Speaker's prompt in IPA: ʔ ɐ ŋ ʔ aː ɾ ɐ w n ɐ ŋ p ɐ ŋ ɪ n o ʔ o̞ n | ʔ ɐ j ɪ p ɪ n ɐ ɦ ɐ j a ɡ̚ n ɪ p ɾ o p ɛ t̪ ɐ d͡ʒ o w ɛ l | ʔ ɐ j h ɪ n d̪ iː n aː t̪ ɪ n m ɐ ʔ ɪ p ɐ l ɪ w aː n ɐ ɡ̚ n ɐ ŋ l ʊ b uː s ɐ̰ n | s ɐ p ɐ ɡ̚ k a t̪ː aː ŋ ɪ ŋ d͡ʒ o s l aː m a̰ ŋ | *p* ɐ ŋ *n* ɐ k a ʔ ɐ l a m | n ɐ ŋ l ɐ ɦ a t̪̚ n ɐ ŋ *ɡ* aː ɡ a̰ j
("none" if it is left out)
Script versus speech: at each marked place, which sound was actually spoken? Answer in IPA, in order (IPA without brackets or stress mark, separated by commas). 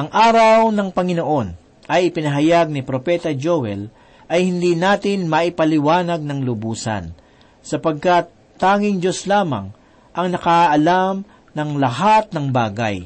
ʔ, n, b